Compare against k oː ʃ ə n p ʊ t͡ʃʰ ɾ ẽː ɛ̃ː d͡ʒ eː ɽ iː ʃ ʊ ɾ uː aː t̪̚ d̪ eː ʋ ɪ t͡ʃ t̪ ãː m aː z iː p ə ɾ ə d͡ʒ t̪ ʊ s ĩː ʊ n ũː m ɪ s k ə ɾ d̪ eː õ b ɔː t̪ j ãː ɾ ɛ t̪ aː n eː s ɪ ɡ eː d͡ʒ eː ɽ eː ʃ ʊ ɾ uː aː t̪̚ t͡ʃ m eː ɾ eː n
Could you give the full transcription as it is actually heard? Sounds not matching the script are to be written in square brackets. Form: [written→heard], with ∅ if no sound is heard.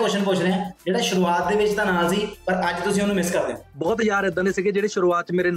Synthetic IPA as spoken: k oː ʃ ə n p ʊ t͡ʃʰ ɾ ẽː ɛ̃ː d͡ʒ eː ɽ [iː→aː] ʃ ʊ ɾ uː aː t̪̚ d̪ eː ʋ ɪ t͡ʃ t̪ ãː [m→n] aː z iː p ə ɾ ə d͡ʒ t̪ ʊ s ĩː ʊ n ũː m ɪ s k ə ɾ d̪ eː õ b ɔː t̪ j [ãː→aː] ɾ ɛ [t̪→d̪] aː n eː s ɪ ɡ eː d͡ʒ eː ɽ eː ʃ ʊ ɾ uː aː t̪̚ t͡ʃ m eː ɾ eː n